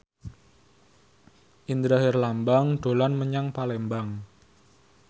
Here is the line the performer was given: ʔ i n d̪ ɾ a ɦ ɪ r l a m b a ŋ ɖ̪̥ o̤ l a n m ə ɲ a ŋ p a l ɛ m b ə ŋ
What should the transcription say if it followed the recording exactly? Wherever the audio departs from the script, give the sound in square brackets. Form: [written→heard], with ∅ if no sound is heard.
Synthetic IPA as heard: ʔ i n d̪ ɾ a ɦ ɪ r l a m b a ŋ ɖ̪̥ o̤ l a n m ə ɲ a ŋ p a l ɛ m b [ə→a] ŋ